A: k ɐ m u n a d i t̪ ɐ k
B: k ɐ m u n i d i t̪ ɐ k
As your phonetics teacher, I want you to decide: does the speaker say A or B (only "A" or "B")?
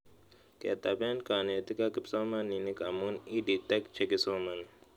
B